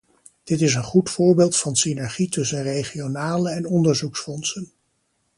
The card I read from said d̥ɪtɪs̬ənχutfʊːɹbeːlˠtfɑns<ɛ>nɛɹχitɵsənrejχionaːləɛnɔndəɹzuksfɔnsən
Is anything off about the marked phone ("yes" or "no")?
yes